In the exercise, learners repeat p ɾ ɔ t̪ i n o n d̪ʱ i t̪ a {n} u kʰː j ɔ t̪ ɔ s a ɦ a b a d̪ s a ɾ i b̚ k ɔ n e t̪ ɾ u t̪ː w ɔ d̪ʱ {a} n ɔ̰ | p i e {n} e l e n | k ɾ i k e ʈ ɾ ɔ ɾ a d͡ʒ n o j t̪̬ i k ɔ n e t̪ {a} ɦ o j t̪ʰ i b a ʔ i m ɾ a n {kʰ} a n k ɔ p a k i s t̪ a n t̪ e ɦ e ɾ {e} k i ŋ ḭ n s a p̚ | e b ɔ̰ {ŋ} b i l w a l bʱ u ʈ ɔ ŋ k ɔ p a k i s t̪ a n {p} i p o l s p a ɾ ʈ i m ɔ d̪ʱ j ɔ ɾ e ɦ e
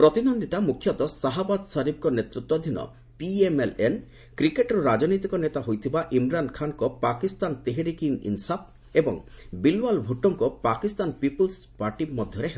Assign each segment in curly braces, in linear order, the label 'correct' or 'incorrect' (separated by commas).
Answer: incorrect, incorrect, incorrect, correct, correct, incorrect, correct, correct